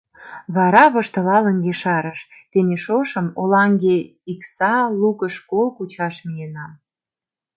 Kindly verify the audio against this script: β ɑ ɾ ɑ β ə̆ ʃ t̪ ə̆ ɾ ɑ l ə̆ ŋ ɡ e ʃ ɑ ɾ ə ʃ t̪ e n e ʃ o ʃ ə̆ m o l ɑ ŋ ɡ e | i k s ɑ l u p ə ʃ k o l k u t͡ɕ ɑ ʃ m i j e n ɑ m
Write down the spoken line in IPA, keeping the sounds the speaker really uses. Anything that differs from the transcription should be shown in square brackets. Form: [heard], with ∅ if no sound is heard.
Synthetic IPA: β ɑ ɾ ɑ β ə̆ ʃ t̪ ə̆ [l] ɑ l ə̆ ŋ ɡ e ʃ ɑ ɾ ə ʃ t̪ e n e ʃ o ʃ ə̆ m o l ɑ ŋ ɡ e | i k s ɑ l u [k] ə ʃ k o l k u t͡ɕ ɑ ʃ m i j e n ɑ m